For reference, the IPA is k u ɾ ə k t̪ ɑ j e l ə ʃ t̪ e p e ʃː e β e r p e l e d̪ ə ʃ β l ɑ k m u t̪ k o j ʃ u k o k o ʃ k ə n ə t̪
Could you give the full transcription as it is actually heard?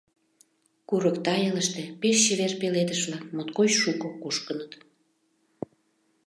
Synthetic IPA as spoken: k u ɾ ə k t̪ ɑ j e l ə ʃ t̪ e p e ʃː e β e r p e l e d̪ ə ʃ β l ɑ k m o t̪ k o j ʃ u k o k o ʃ k ə n ə t̪